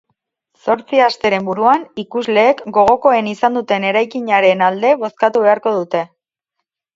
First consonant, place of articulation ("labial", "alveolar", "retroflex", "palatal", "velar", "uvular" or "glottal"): alveolar